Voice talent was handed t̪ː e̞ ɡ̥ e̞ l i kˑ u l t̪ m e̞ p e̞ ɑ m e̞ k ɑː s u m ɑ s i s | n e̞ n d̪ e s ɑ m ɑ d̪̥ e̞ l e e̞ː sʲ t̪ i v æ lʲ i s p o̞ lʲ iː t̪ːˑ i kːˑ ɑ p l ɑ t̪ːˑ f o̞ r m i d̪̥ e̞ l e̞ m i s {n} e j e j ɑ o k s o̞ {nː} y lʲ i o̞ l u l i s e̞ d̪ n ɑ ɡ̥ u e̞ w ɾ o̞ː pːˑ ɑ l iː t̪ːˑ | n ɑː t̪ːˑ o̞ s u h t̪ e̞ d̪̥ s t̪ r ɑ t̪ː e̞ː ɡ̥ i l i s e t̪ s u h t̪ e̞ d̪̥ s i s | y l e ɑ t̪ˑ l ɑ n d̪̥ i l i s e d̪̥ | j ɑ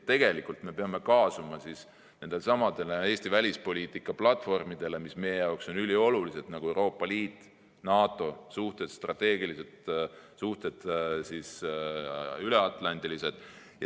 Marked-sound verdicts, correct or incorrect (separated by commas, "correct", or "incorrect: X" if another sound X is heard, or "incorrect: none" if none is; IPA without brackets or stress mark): incorrect: m, incorrect: n